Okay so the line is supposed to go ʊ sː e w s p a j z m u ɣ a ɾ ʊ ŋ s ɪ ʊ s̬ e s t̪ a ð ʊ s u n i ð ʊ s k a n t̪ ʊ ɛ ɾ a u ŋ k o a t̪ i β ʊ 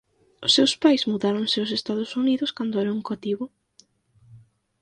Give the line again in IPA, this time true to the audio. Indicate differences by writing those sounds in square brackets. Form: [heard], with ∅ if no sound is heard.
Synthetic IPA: ʊ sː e w s p a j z m u [ð] a ɾ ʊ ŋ s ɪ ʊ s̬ e s t̪ a ð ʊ s u n i ð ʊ s k a n [d̪] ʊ ɛ ɾ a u ŋ k o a t̪ i β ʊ